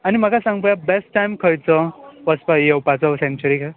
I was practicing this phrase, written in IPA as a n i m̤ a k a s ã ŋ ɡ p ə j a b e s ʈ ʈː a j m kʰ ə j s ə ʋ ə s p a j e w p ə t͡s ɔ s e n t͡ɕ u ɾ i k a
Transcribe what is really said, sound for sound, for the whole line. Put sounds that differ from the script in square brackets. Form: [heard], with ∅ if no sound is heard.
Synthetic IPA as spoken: a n i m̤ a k a s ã ŋ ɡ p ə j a b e s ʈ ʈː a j m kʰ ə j [t͡s] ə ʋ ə s p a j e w p [a] t͡s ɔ s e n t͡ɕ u ɾ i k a